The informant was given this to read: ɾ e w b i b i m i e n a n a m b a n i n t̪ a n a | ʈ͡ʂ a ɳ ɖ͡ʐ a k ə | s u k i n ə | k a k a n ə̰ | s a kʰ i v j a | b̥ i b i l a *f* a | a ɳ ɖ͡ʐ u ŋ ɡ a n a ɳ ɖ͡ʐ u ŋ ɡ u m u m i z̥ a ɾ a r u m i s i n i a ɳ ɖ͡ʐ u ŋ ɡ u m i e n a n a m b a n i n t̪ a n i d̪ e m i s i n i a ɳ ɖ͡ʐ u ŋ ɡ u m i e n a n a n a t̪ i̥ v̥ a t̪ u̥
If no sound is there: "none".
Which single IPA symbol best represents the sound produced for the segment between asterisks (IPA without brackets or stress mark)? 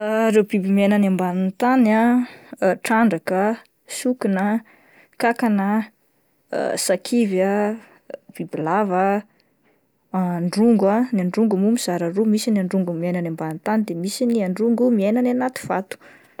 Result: v